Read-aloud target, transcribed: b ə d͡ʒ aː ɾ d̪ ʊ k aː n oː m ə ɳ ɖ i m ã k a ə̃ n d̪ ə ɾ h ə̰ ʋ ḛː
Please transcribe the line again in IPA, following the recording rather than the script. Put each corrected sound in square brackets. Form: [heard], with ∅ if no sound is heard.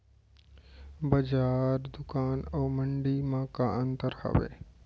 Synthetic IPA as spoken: b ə d͡ʒ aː ɾ d̪ ʊ k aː n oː m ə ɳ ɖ i m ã k a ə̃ n [t̪] ə ɾ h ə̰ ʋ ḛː